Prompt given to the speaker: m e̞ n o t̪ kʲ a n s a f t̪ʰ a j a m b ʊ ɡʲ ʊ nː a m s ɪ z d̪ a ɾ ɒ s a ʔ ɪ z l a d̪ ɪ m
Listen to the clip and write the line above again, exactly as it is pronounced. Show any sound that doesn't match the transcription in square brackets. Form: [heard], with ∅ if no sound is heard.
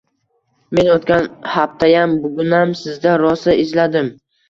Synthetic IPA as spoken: m e̞ n o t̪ kʲ a n [h] a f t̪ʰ a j a m b ʊ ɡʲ ʊ [n] a m s ɪ z d̪ a ɾ ɒ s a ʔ ɪ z l a d̪ ɪ m